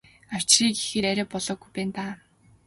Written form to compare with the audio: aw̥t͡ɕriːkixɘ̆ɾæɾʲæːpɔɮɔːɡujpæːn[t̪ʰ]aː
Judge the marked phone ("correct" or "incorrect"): incorrect